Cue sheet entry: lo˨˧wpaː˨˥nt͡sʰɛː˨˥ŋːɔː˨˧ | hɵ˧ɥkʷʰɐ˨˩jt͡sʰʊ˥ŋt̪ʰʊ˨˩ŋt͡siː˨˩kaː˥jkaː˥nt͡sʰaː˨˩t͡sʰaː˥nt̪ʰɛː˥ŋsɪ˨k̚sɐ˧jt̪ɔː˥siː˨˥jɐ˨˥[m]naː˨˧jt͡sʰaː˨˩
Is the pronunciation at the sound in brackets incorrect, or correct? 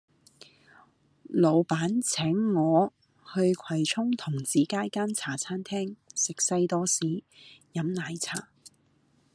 correct